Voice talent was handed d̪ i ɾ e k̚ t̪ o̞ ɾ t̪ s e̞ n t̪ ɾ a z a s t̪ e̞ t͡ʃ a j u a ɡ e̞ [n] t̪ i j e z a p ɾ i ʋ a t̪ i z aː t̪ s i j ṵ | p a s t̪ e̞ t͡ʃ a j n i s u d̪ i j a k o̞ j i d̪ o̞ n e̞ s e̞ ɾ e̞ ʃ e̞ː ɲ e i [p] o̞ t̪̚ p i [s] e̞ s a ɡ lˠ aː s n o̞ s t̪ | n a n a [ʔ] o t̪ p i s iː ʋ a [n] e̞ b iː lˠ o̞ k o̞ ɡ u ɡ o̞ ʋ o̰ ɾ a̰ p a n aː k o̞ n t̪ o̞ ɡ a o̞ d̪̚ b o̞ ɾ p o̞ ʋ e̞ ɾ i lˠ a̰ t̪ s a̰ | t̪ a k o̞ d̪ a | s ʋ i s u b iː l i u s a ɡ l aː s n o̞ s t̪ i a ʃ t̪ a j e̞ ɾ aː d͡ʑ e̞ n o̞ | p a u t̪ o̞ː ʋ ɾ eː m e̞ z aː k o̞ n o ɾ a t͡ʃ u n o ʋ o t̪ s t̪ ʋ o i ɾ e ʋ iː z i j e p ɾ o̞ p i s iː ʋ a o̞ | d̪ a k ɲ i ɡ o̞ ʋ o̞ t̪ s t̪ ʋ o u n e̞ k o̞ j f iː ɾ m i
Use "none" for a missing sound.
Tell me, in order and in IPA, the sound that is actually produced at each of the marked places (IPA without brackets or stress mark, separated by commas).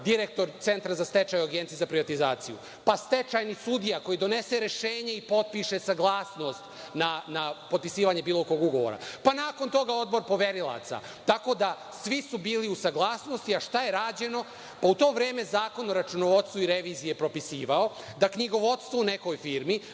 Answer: n, p, ʃ, p, ɲ